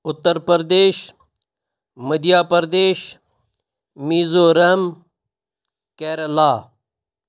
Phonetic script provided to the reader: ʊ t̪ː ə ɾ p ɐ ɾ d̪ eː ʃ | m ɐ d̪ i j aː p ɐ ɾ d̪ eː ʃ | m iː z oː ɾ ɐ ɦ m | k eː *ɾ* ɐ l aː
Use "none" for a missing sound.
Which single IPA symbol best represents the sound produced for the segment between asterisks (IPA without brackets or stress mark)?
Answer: ɾ